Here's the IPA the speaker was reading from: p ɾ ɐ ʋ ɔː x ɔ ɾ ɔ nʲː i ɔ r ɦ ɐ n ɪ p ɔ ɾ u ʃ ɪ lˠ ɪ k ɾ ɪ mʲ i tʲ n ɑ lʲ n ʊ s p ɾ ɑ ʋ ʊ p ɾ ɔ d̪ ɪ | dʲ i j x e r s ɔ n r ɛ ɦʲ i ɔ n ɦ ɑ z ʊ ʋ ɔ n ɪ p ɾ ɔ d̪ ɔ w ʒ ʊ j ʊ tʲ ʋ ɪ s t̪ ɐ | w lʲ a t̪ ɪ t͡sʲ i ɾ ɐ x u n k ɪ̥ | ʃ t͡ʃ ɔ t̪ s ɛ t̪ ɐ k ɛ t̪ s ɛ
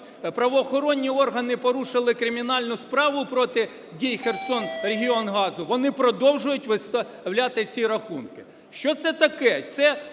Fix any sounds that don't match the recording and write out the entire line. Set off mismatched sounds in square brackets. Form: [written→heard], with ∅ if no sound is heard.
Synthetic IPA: p ɾ ɐ ʋ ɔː x ɔ ɾ ɔ nʲː i ɔ r ɦ ɐ n ɪ p ɔ ɾ u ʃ ɪ lˠ ɪ k ɾ ɪ mʲ i [tʲ→∅] n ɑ lʲ n ʊ s p ɾ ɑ ʋ ʊ p ɾ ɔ [d̪→t̪] ɪ | dʲ i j x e r s ɔ n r [ɛ→e] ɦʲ i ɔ n ɦ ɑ z ʊ ʋ ɔ n ɪ p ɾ ɔ d̪ ɔ w ʒ ʊ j ʊ tʲ ʋ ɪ s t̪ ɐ | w lʲ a t̪ ɪ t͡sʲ i ɾ ɐ x u n k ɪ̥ | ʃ t͡ʃ ɔ t̪ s ɛ t̪ ɐ k ɛ t̪ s ɛ